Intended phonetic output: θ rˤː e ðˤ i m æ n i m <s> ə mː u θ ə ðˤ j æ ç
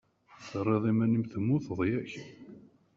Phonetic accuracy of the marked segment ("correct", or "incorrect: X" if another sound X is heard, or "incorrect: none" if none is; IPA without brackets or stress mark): incorrect: θ